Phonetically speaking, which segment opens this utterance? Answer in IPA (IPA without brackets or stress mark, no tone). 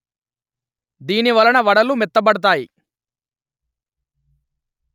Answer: d̪